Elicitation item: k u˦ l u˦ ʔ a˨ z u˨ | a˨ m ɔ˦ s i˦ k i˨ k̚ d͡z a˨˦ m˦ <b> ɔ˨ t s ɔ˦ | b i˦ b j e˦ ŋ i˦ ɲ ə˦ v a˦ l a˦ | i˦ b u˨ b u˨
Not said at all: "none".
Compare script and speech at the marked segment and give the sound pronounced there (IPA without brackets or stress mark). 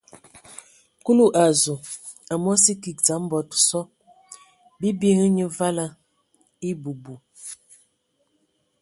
b